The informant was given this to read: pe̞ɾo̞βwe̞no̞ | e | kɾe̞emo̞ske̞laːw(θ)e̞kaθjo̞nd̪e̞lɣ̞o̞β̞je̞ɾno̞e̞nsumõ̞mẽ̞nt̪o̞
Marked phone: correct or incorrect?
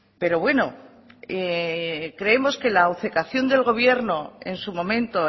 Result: correct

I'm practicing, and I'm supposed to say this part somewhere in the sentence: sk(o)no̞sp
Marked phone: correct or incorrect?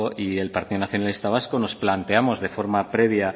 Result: correct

